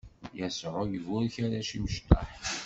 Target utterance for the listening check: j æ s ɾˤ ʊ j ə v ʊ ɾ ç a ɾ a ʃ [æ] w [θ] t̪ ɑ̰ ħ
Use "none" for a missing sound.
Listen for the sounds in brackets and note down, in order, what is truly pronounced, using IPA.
i, ʃ

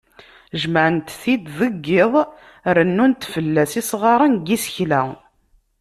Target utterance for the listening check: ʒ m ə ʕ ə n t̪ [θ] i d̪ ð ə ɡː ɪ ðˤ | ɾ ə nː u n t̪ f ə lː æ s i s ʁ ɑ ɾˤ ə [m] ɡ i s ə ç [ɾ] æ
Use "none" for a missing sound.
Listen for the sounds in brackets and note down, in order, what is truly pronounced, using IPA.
θ, n, l

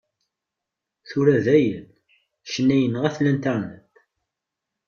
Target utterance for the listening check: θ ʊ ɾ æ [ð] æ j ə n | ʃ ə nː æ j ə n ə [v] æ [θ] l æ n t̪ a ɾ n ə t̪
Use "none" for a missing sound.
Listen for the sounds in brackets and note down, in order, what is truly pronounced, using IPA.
ð, ʁ, θ

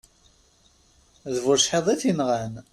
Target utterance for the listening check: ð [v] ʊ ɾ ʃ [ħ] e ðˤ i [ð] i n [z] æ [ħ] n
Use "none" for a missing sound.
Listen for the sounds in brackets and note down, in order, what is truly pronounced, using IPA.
v, ħ, θ, ʁ, none

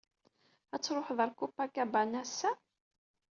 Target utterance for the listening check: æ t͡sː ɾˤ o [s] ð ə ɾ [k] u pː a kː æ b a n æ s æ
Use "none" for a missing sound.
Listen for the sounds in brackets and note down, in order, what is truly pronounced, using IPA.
ħ, k

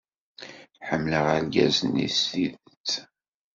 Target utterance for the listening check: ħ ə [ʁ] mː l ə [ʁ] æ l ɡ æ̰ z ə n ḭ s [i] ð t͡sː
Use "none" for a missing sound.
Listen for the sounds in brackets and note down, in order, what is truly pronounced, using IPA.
none, ʁ, i

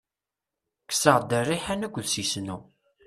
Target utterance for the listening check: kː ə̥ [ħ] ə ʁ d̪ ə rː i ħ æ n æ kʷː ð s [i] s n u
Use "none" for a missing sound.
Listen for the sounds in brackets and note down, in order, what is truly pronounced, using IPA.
s, i

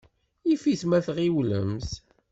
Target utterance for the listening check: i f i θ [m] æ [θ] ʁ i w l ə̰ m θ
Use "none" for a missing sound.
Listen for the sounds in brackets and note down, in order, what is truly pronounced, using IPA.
m, θ

